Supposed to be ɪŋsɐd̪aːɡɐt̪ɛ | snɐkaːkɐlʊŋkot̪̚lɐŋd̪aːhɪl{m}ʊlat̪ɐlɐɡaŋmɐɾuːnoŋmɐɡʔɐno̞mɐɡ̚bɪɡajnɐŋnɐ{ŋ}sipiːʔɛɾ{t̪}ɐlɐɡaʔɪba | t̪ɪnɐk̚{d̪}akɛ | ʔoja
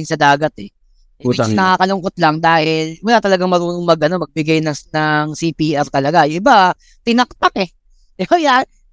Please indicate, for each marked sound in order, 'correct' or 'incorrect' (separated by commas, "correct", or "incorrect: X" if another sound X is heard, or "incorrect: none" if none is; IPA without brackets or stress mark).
correct, correct, correct, incorrect: t̪